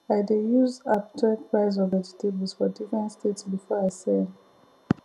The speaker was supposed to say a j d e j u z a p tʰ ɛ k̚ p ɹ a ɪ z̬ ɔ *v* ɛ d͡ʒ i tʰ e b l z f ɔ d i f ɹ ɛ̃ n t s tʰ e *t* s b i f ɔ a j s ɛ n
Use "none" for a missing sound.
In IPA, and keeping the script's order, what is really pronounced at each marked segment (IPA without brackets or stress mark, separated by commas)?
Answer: v, t